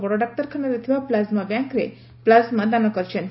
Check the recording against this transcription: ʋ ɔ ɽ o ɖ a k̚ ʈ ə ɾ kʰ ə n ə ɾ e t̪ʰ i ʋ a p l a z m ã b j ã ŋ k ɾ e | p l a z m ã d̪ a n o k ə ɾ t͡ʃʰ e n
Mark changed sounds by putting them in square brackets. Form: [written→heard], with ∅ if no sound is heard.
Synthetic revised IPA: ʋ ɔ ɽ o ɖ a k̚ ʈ ə ɾ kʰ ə n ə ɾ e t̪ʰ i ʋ a p l a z m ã b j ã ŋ k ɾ e | p l a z m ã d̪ a n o k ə ɾ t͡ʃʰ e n

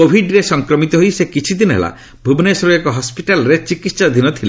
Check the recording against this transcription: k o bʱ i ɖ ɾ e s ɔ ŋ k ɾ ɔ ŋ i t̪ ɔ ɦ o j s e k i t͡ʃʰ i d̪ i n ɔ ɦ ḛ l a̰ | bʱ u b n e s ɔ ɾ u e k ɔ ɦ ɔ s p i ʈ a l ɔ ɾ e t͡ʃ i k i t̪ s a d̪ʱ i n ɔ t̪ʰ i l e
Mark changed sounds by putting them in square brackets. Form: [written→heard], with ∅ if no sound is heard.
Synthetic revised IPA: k o bʱ i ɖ ɾ e s ɔ ŋ k ɾ ɔ [ŋ→m] i t̪ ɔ ɦ o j s e k i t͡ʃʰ i d̪ i n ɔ ɦ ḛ l a̰ | bʱ u b n e s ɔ ɾ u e k ɔ ɦ ɔ s p i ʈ a l ɔ ɾ e t͡ʃ i k i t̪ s a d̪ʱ i n ɔ t̪ʰ i l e

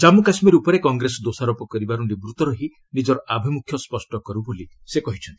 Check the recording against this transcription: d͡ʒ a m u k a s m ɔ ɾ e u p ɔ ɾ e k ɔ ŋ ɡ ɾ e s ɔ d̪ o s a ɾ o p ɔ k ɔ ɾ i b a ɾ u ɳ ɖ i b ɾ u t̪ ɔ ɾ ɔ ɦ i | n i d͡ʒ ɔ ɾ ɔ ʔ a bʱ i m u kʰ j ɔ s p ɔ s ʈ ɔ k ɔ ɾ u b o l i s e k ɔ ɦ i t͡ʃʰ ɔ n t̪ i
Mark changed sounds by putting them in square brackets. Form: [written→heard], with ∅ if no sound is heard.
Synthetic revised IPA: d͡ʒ a m u k a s m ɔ ɾ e u p ɔ ɾ e k ɔ ŋ ɡ ɾ e s ɔ d̪ o s a ɾ o p ɔ k ɔ ɾ i b a ɾ u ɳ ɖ i b ɾ u t̪ ɔ ɾ ɔ ɦ i | n i d͡ʒ ɔ ɾ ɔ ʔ a bʱ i m u kʰ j ɔ s p ɔ s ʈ ɔ k ɔ ɾ u b o l i s e k ɔ ɦ i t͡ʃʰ ɔ n t̪ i

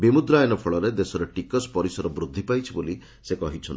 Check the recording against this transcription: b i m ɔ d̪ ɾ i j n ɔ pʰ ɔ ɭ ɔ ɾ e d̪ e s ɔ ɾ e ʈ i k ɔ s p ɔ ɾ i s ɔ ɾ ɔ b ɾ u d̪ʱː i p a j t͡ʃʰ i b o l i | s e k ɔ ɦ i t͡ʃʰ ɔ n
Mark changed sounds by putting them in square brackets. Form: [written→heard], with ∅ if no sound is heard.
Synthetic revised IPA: b i m [ɔ→u] d̪ ɾ [i→a] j n ɔ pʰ ɔ ɭ ɔ ɾ e d̪ e s ɔ ɾ e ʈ i k ɔ s p ɔ ɾ i s ɔ ɾ ɔ b ɾ u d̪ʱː i p a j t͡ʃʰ i b o l i | s e k ɔ ɦ i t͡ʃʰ ɔ n

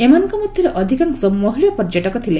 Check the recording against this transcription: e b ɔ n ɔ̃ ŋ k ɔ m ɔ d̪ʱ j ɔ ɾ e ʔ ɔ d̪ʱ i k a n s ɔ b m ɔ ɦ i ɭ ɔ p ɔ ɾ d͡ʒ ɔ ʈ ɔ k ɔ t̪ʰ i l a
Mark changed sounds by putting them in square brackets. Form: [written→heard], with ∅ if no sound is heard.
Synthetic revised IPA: e [b→m] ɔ n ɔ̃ ŋ k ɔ m ɔ d̪ʱ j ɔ ɾ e ʔ ɔ d̪ʱ i k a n s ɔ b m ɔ ɦ i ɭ ɔ p ɔ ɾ d͡ʒ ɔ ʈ ɔ k ɔ t̪ʰ i l [a→e]

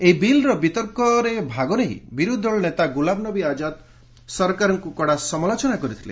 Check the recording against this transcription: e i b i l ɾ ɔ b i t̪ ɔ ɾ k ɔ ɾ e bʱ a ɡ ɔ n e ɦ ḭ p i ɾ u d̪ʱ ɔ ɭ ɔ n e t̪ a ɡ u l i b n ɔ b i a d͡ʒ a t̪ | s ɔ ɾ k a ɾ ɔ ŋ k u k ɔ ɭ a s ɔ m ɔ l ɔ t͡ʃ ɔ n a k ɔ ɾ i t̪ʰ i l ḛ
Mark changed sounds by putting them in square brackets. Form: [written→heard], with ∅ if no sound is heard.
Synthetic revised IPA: e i b i l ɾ ɔ b i t̪ ɔ ɾ k ɔ ɾ e bʱ a ɡ ɔ n e ɦ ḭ [p→b] i ɾ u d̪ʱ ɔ ɭ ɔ n e t̪ a ɡ u l [i→a] b n ɔ b i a d͡ʒ a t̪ | s ɔ ɾ k a ɾ ɔ ŋ k u k ɔ [ɭ→ɽ] a s ɔ m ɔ l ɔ t͡ʃ ɔ n a k ɔ ɾ i t̪ʰ i l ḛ

